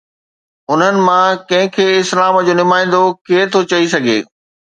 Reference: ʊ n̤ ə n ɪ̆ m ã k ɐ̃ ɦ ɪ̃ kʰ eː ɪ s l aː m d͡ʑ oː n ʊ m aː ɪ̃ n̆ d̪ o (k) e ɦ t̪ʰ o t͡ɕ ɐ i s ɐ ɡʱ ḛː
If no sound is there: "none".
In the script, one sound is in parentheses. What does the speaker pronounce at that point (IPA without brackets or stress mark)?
k